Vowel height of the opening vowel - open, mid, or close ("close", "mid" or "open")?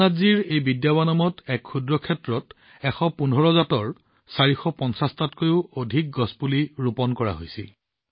open